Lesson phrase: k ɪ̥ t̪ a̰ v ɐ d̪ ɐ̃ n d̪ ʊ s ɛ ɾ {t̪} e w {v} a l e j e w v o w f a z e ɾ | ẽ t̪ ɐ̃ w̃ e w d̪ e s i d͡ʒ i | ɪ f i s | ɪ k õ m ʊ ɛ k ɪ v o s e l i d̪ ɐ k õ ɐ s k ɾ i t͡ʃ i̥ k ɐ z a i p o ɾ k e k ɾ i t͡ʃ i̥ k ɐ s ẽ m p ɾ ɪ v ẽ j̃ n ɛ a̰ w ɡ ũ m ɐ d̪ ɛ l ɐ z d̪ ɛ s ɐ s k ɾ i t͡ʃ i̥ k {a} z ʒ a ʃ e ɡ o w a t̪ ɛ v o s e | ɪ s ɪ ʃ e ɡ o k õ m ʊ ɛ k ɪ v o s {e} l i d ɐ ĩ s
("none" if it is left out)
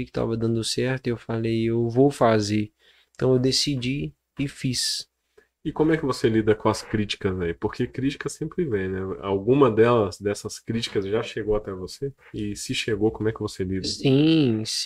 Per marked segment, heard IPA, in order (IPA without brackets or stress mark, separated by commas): t̪, f, ɐ, e